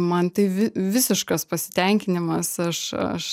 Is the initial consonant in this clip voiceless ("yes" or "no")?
no